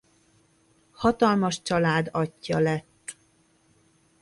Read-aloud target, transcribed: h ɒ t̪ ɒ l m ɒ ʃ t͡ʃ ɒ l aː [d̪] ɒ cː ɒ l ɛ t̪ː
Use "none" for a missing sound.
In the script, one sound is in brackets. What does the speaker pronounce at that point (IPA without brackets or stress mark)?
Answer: d̪